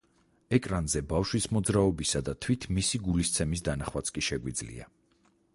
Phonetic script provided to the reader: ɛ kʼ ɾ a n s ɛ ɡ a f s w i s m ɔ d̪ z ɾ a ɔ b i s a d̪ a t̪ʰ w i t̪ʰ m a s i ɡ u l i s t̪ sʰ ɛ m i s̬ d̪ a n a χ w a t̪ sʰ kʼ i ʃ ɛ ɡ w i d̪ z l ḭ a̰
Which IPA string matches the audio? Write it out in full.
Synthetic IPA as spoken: ɛ kʼ ɾ a n z ɛ b a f ʃ w i s m ɔ d̪ z ɾ a ɔ b i s a d̪ a t̪ʰ w i t̪ʰ m i s i ɡ u l i s t̪ sʰ ɛ m i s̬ d̪ a n a χ w a t̪ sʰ kʼ i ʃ ɛ ɡ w i d̪ z l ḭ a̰